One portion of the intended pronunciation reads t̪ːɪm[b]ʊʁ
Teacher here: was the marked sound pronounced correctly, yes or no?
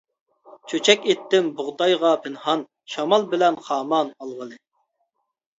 yes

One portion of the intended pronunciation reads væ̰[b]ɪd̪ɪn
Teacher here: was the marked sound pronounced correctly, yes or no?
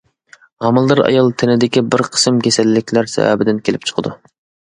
yes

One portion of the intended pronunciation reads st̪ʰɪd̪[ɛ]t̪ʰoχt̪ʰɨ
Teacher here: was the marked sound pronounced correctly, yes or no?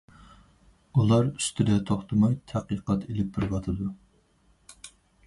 yes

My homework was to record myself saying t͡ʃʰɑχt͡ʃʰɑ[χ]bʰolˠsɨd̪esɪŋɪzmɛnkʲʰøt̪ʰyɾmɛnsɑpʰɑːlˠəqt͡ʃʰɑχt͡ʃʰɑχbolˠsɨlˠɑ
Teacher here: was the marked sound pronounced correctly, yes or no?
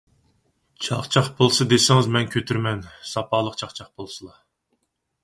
yes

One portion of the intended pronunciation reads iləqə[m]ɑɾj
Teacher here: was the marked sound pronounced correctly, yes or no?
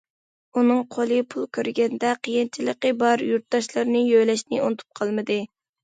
no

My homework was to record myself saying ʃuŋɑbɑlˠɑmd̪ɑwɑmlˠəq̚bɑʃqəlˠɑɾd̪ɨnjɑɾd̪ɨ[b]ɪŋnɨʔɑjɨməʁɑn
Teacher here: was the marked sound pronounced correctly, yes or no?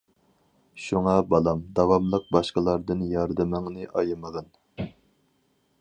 no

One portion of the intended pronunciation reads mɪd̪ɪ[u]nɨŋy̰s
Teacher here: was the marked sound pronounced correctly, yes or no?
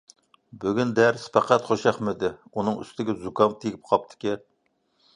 yes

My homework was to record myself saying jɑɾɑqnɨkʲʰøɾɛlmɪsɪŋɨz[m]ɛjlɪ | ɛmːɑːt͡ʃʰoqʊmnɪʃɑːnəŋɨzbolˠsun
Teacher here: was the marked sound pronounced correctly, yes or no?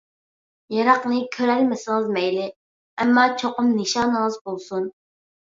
yes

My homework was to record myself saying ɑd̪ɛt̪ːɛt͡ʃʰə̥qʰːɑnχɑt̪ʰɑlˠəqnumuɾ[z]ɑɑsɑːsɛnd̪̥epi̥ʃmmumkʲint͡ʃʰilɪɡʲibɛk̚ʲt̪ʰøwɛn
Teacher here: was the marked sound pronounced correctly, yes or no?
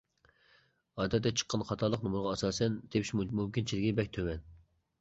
no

